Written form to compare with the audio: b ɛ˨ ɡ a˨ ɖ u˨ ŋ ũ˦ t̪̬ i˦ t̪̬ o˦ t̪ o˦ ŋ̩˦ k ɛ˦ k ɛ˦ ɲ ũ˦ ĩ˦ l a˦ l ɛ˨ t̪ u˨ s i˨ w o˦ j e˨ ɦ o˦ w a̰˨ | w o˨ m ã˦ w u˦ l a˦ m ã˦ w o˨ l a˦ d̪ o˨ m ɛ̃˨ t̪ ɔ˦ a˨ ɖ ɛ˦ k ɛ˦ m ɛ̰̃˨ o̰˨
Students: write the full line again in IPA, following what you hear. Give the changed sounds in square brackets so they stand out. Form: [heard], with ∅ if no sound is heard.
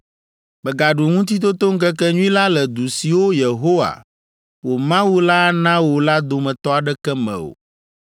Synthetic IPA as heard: b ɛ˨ ɡ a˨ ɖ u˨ ŋ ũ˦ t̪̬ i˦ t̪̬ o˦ t̪ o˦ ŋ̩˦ k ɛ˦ k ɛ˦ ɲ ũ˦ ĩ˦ l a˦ l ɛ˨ [d̪] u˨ s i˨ w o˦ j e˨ ɦ o˦ w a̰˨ | w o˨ m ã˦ w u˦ l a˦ [n] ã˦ w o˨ l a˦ d̪ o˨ m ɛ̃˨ t̪ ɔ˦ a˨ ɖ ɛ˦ k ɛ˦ m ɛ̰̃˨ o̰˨